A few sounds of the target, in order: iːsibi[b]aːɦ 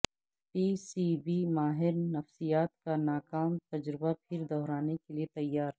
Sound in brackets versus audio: incorrect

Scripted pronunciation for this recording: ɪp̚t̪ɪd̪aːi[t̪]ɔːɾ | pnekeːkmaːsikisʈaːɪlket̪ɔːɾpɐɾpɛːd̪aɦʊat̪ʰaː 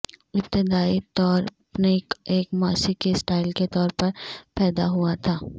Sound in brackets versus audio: correct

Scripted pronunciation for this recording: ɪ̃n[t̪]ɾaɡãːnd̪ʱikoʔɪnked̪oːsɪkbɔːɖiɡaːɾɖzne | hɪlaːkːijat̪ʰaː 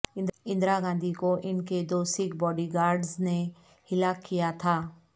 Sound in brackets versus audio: incorrect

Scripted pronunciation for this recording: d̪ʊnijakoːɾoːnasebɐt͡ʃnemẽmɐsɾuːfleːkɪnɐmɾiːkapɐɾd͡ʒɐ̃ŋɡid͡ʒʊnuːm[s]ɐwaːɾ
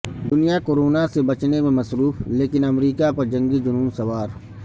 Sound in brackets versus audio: correct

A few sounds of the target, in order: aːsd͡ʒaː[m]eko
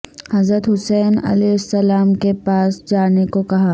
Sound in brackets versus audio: incorrect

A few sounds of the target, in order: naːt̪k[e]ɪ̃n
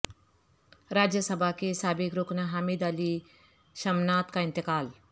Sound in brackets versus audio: incorrect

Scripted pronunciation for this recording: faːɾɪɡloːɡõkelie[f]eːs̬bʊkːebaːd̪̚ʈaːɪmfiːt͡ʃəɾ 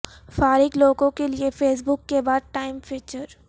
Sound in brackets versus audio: correct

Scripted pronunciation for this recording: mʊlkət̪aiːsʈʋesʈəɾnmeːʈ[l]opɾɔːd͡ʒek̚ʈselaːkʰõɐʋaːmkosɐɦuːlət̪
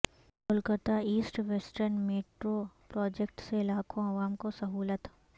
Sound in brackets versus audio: incorrect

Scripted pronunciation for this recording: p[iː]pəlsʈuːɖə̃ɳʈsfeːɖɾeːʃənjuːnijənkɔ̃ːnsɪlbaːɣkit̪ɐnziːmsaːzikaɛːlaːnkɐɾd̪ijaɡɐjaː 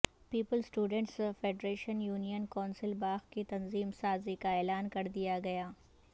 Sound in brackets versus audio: correct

